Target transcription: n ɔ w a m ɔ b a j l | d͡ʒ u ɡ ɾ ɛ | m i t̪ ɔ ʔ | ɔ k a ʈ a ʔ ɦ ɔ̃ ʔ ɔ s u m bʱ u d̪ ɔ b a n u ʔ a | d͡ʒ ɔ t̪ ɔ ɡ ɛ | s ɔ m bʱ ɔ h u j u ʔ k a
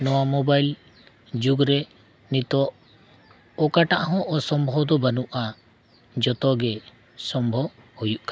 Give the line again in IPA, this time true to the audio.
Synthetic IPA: n ɔ w a m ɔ b a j l | d͡ʒ u ɡ ɾ ɛ | n i t̪ ɔ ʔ | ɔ k a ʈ a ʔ ɦ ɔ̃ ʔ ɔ s ɔ m bʱ ɔ d̪ ɔ b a n u ʔ a | d͡ʒ ɔ t̪ ɔ ɡ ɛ | s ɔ m bʱ ɔ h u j u ʔ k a